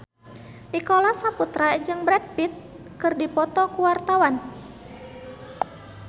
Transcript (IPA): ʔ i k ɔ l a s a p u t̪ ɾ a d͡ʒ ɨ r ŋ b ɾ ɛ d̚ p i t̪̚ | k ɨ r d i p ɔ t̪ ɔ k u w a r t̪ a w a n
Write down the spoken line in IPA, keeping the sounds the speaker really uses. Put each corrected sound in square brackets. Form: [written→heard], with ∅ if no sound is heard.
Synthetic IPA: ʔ i k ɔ l a s a p u t̪ ɾ a d͡ʒ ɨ [r→∅] ŋ b ɾ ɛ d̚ p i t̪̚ | k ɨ r d i p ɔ t̪ ɔ k u w a r t̪ a w a n

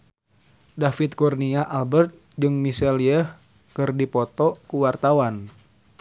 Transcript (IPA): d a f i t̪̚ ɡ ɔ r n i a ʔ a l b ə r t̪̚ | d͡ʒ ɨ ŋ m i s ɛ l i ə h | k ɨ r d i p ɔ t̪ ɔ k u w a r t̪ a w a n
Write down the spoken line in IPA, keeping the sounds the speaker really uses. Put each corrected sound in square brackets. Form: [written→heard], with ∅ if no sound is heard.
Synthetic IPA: d a f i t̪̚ [ɡ→k] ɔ r n i a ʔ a l b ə r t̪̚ | d͡ʒ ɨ ŋ m i s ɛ l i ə h | k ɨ r d i p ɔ t̪ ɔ k u w a r t̪ a w a n

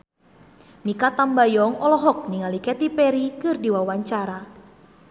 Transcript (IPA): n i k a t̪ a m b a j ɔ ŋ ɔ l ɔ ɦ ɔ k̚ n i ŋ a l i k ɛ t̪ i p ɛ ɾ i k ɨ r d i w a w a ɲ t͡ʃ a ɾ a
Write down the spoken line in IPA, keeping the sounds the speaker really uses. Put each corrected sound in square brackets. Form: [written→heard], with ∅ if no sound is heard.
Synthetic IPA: n i k a t̪ a m b a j ɔ ŋ ɔ l ɔ ɦ ɔ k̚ n i ŋ a l i k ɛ t̪ i p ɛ ɾ i k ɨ r d i w a w a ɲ t͡ʃ a ɾ a

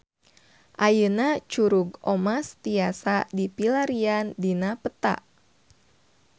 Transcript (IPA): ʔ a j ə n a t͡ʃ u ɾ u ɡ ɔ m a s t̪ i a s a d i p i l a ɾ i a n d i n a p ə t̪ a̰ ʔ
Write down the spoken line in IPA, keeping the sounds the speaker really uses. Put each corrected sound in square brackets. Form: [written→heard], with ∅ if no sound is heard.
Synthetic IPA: ʔ a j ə n a t͡ʃ u ɾ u ɡ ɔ m a s t̪ i a s a d i p i l a ɾ i a n d i n a p ə t̪ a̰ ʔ

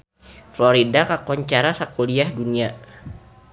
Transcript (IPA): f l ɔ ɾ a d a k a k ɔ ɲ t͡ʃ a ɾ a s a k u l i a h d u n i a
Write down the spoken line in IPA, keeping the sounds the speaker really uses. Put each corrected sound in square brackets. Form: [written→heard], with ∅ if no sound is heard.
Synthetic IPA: f l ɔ ɾ [a→i] d a k a k ɔ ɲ t͡ʃ a ɾ a s a k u l i a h d u n i a

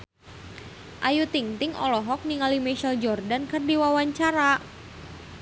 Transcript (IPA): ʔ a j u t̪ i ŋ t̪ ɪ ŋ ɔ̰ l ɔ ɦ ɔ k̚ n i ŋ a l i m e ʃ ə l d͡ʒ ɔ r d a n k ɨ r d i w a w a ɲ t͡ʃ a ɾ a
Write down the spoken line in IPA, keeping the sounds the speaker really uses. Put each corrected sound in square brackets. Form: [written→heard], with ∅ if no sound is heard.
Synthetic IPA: ʔ a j u t̪ i ŋ t̪ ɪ ŋ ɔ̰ l ɔ ɦ ɔ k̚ n i ŋ a l i m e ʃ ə l d͡ʒ ɔ r d a n k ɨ r d i w a w a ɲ t͡ʃ a ɾ a

